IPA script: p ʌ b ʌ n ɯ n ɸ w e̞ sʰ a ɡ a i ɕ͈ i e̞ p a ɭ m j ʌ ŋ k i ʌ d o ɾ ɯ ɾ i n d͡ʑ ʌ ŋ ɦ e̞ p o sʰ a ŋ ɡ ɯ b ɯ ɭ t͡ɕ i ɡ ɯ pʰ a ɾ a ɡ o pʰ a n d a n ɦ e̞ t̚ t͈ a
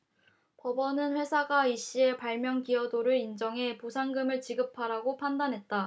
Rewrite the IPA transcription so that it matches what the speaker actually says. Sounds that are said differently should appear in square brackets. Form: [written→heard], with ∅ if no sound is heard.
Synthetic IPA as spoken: p ʌ b ʌ n ɯ n ɸ w e̞ sʰ a ɡ a i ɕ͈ i e̞ p a ɭ m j ʌ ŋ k i ʌ d o ɾ ɯ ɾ i n d͡ʑ ʌ ŋ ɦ e̞ p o sʰ a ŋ ɡ ɯ [b→m] ɯ ɭ t͡ɕ i ɡ ɯ pʰ a ɾ a ɡ o pʰ a n d a n ɦ e̞ t̚ t͈ a